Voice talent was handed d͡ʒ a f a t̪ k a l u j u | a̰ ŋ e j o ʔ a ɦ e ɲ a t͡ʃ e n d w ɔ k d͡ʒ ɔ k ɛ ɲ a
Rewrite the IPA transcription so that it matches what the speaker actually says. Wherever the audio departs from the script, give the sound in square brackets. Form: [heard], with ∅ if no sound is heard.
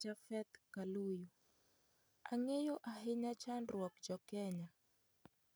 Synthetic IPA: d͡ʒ a f [ɛ] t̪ k a l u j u | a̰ ŋ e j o ʔ a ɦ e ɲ a t͡ʃ [a] n d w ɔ k d͡ʒ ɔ k ɛ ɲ a